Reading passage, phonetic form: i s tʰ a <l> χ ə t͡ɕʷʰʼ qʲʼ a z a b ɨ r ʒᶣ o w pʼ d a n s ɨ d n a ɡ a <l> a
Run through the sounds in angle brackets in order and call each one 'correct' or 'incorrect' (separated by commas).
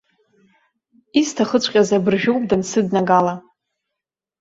incorrect, correct